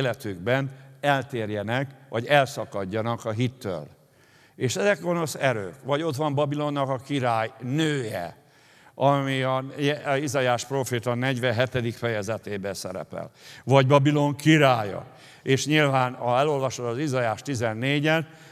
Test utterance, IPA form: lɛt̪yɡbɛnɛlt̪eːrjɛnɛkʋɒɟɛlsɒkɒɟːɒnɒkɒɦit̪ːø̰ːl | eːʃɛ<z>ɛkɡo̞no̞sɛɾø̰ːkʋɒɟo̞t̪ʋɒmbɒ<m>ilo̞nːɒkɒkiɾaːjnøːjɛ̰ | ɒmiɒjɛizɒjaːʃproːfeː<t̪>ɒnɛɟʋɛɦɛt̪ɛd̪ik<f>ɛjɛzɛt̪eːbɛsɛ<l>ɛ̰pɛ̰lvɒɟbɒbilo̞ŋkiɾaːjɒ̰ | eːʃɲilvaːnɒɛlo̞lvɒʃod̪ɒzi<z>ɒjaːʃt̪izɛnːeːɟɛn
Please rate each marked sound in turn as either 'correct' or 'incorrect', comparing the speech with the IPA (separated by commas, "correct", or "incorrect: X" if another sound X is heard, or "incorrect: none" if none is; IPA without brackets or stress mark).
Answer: correct, incorrect: b, correct, correct, incorrect: ɾ, correct